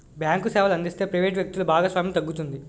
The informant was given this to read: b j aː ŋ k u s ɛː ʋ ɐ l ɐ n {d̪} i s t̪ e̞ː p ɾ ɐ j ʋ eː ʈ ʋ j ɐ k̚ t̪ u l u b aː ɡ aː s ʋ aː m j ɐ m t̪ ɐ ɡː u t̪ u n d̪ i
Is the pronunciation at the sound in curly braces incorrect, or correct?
correct